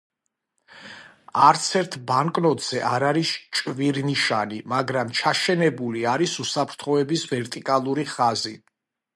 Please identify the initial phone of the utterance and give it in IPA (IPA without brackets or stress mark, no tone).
a